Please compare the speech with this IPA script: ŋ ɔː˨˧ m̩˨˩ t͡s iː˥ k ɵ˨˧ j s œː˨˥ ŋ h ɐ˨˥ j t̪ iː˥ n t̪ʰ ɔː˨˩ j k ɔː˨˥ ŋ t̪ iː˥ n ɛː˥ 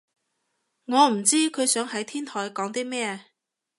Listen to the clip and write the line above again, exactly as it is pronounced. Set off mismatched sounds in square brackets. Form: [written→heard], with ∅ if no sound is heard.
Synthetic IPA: ŋ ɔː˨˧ m̩˨˩ t͡s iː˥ [k→kʰ] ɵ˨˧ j s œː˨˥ ŋ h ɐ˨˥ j [t̪→t̪ʰ] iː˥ n t̪ʰ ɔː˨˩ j k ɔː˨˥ ŋ t̪ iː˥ [n→m] ɛː˥